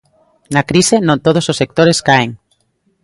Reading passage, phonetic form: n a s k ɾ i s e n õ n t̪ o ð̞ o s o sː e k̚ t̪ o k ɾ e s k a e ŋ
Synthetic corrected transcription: n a k ɾ i s e n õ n t̪ o ð̞ o s o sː e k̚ t̪ o ɾ e s k a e ŋ